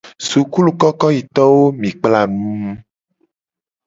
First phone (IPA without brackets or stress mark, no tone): s